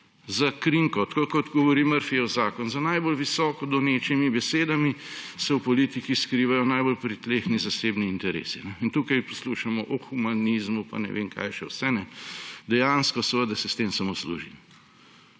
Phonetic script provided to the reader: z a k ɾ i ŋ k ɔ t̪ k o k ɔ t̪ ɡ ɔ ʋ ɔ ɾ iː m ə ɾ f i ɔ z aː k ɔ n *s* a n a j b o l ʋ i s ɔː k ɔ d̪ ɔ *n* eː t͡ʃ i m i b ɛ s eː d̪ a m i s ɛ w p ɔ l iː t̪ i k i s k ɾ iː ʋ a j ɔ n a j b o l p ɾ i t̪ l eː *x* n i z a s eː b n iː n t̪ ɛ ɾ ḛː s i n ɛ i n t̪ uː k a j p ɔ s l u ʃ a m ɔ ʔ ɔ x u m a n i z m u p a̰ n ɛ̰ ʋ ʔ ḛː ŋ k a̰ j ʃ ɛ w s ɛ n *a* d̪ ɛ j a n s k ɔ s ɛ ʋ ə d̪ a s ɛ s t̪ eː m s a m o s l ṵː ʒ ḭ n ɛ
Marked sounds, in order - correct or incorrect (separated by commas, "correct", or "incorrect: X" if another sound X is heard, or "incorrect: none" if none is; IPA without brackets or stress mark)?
incorrect: z, correct, correct, incorrect: ɛ